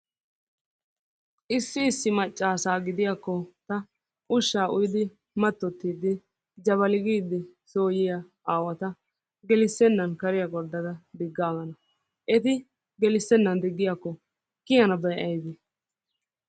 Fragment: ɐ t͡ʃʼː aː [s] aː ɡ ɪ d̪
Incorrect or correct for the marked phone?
correct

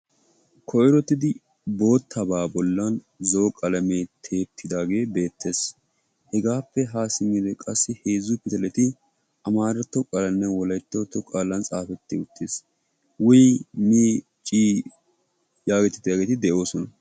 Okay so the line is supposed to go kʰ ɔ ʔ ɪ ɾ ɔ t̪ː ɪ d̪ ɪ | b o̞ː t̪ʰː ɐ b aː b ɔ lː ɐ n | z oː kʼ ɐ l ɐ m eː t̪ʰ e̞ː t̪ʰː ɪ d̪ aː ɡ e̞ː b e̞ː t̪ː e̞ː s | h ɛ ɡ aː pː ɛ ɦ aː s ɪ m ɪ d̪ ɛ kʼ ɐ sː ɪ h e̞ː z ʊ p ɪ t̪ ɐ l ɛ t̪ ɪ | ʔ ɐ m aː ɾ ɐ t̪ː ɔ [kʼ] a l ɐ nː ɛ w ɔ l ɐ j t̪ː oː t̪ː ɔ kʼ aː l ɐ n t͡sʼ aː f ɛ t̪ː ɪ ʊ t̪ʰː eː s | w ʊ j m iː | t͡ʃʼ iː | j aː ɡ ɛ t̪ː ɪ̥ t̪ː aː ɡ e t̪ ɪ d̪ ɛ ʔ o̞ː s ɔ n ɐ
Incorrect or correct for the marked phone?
correct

